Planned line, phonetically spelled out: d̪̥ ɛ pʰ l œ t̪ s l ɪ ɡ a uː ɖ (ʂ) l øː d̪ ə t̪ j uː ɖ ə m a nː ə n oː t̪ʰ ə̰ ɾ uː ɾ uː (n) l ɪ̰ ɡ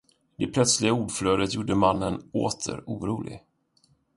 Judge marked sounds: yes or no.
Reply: no, no

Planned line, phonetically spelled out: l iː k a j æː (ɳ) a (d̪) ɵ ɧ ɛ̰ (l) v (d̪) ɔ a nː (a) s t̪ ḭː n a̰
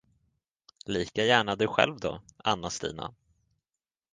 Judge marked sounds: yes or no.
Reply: yes, yes, yes, yes, yes

